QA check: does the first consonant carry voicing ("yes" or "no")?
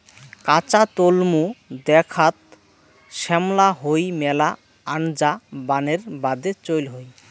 no